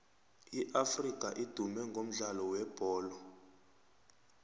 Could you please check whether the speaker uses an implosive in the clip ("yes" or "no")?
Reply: no